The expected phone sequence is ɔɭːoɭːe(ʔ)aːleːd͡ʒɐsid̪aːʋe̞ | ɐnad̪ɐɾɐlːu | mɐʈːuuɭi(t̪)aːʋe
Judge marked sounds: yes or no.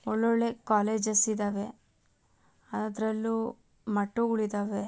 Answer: no, no

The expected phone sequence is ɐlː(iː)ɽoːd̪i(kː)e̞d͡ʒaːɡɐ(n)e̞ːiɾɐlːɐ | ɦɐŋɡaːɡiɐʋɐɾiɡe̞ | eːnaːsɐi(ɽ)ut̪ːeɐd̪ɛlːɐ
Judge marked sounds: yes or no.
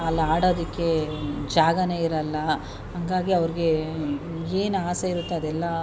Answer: no, yes, yes, no

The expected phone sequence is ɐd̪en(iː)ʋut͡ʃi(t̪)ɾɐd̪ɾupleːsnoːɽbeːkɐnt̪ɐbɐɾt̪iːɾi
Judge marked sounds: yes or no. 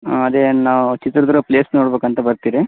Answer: no, yes

